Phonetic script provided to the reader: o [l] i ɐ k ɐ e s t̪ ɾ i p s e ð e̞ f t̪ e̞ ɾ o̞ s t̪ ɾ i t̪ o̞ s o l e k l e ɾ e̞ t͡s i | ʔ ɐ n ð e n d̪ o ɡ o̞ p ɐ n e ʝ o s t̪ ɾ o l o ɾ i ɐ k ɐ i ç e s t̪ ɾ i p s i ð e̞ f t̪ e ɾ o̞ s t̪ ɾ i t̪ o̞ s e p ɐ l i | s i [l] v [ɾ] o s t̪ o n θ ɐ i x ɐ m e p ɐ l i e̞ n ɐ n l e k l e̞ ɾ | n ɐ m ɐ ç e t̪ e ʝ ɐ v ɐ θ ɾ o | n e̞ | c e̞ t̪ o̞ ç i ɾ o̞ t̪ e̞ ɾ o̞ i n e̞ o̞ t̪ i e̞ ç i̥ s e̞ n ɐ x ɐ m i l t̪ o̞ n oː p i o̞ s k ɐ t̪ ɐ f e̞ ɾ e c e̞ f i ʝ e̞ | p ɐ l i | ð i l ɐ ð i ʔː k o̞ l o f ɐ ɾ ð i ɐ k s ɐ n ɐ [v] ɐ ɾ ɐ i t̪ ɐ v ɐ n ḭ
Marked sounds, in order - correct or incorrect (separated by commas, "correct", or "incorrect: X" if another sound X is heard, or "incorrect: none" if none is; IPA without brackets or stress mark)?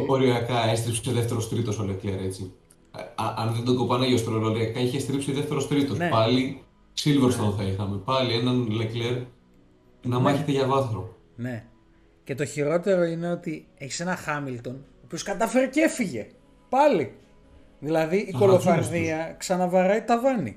incorrect: ɾ, correct, correct, correct